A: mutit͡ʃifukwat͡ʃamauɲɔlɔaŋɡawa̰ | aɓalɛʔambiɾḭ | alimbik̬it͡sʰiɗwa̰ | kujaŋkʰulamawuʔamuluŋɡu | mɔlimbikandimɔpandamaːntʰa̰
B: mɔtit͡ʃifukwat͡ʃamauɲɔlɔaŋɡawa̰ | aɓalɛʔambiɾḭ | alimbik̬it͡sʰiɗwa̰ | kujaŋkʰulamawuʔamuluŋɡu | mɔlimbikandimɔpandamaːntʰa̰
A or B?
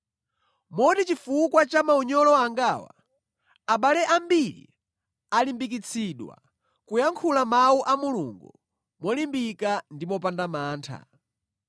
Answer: B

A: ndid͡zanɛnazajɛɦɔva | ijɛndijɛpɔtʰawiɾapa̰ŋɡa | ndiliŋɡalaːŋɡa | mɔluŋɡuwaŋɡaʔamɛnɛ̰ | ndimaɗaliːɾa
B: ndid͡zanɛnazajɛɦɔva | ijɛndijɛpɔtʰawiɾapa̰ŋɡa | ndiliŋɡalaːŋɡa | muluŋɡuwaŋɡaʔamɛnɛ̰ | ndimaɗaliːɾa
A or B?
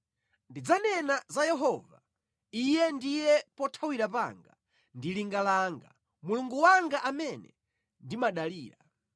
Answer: B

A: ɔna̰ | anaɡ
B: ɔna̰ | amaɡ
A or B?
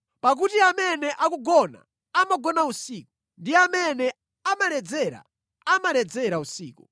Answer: B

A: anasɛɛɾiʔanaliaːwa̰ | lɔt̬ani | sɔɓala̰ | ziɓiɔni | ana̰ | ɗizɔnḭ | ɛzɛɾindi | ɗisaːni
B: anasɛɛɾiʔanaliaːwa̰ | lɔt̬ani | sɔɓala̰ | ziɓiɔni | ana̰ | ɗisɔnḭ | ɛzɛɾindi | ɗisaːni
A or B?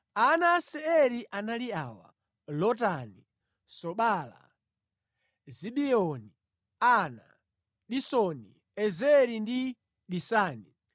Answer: B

